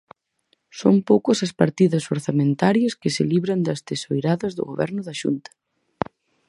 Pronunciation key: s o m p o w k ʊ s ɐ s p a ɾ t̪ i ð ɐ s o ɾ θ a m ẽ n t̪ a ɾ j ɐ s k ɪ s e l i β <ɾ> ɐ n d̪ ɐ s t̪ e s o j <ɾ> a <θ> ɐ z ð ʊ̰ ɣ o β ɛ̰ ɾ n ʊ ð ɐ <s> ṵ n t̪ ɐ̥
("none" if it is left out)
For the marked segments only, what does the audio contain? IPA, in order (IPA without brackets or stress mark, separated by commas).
ɾ, ɾ, ð, ʃ